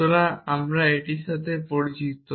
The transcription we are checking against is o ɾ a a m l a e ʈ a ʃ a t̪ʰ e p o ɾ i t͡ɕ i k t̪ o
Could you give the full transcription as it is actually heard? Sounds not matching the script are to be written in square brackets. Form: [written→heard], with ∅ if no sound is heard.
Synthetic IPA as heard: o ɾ a a m [l→ɾ] a e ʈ [a→i] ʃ a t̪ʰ e p o ɾ i t͡ɕ i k t̪ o